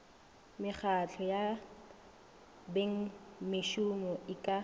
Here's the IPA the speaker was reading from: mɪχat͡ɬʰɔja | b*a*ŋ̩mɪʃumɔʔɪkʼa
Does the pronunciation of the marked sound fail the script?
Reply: yes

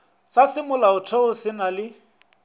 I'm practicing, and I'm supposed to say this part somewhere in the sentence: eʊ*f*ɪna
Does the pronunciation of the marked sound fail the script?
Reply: yes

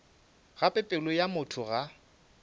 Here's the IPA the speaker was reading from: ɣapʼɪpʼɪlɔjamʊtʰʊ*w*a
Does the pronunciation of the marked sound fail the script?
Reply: yes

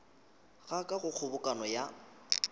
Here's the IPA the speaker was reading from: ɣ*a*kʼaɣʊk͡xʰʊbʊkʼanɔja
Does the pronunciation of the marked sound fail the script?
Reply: no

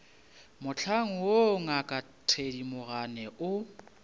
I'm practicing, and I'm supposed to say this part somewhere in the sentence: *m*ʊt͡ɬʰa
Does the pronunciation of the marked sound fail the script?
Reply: no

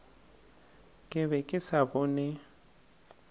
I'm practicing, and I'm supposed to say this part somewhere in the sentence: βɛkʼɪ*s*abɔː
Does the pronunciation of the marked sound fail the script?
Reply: no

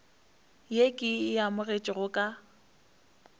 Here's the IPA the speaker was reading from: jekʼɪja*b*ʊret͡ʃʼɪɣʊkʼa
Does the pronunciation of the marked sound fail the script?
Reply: yes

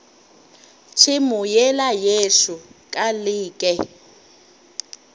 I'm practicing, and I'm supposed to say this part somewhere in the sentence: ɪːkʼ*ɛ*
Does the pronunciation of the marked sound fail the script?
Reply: no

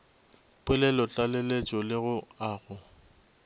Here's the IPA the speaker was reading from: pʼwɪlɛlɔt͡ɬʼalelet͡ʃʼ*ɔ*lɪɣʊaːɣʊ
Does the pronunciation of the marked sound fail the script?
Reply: no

